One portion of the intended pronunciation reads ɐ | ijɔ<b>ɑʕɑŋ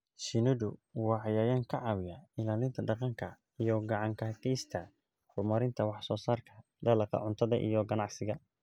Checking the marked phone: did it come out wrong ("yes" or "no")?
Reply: yes